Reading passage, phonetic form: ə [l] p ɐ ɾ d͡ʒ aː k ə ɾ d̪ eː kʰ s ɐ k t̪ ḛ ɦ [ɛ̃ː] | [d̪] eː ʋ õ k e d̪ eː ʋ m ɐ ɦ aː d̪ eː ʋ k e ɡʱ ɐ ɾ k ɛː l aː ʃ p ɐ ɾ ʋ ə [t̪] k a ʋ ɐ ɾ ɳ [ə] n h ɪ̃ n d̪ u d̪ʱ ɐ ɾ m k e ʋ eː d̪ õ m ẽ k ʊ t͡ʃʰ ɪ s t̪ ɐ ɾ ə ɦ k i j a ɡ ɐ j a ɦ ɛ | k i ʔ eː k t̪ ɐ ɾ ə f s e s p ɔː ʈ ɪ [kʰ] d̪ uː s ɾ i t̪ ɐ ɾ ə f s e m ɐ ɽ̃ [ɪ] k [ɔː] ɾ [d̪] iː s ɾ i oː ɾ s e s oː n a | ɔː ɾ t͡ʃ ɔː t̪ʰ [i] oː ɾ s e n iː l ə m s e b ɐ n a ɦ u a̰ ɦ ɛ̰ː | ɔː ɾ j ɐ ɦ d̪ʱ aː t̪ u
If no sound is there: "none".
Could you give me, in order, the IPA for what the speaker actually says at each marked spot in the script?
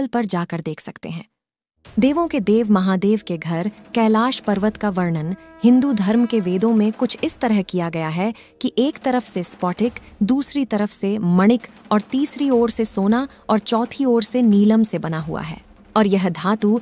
l, ɛ̃ː, d̪, t̪, ə, k, ɪ, ɔː, t̪, i

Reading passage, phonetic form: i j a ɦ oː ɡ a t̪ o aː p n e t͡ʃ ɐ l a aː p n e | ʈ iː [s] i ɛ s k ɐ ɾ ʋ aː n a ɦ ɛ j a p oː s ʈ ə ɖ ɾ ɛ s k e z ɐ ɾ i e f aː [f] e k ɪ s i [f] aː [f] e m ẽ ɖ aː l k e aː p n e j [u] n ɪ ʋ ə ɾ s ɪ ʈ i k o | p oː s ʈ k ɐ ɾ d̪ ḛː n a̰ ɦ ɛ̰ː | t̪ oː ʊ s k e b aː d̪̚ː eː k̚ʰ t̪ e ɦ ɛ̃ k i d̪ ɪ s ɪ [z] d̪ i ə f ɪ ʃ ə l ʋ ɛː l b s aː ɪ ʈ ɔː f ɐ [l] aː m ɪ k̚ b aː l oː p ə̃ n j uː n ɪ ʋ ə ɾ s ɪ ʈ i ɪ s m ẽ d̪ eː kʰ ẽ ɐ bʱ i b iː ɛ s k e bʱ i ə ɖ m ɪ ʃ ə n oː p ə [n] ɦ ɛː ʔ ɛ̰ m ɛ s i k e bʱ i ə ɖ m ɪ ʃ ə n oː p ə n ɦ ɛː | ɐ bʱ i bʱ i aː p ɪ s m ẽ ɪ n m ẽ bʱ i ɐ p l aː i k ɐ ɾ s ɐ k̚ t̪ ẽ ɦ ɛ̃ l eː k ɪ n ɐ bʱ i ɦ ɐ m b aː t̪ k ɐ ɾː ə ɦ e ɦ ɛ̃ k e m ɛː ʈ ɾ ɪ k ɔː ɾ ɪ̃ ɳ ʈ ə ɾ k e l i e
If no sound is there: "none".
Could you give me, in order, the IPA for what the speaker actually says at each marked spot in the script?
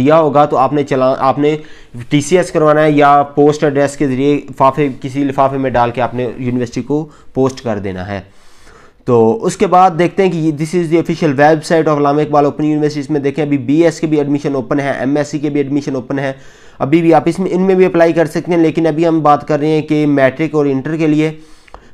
s, f, f, f, uː, z, l, n

